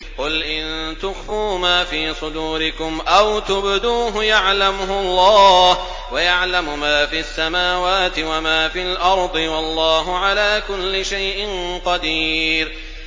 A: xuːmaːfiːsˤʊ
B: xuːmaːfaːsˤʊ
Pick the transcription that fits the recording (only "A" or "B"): A